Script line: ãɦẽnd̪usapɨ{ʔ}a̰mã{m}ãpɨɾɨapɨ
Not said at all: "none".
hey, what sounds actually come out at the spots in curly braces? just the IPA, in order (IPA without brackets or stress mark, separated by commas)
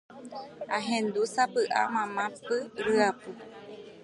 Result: ʔ, m